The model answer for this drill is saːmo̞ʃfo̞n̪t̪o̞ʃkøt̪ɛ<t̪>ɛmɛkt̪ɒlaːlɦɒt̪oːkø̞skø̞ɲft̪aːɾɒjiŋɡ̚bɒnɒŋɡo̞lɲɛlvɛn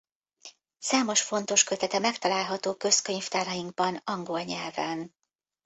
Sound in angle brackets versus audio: correct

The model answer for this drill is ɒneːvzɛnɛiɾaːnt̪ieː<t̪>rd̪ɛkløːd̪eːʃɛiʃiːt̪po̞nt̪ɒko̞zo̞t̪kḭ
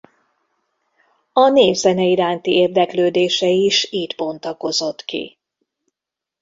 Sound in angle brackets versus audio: incorrect: none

